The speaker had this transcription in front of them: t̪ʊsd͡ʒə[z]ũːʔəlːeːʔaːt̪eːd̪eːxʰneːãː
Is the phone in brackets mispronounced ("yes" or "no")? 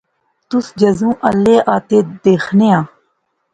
no